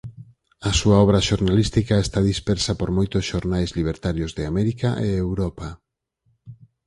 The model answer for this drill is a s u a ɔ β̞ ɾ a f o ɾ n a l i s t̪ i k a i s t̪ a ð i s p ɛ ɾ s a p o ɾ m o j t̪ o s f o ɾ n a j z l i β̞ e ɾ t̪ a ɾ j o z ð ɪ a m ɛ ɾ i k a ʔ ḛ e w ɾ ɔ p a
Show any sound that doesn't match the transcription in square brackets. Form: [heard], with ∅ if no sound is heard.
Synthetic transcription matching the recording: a s u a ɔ β̞ ɾ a [ʃ] o ɾ n a l i s t̪ i k a [e] s t̪ a ð i s p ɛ ɾ s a p o ɾ m o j t̪ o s [ʃ] o ɾ n a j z l i β̞ e ɾ t̪ a ɾ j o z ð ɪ a m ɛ ɾ i k a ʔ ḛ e w ɾ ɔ p a